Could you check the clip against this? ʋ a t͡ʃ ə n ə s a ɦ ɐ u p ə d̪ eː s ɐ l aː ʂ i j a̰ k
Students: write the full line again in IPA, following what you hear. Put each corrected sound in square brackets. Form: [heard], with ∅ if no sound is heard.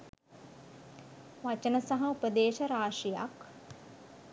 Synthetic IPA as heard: ʋ a t͡ʃ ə n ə s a ɦ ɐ u p ə d̪ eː [ʃ] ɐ [ɾ] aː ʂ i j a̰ k